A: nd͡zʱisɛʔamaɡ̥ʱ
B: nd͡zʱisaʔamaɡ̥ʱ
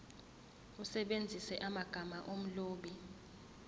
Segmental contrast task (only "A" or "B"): A